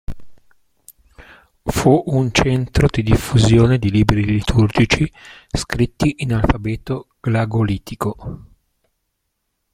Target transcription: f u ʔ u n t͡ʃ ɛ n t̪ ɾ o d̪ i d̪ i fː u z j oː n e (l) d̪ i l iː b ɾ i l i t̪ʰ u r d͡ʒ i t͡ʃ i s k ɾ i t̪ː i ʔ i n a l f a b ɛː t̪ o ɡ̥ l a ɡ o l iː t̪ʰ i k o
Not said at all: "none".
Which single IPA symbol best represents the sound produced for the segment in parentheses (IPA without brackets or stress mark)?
none